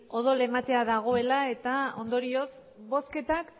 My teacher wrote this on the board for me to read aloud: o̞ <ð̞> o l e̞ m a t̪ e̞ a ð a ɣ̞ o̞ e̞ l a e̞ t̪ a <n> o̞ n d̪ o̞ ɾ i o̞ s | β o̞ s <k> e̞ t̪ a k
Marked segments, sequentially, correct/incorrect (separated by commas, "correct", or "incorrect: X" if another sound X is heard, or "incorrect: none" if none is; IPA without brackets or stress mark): correct, incorrect: none, correct